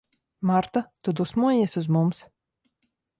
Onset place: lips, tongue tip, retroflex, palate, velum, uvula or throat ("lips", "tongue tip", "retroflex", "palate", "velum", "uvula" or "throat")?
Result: lips